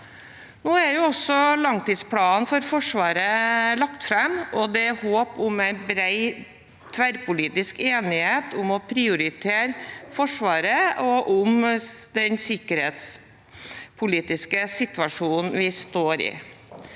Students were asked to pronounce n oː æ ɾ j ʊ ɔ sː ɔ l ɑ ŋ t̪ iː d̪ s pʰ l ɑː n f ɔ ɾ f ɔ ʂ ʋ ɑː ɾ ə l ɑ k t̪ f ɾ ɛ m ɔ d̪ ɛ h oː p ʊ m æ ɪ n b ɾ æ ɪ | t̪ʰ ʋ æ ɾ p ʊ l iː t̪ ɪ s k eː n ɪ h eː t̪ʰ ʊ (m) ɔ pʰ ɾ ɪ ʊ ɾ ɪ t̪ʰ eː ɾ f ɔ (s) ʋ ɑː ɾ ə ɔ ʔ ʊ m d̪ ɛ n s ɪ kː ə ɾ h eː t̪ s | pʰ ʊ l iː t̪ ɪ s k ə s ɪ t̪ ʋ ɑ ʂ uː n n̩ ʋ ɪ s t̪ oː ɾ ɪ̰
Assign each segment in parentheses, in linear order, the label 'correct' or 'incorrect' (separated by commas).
correct, incorrect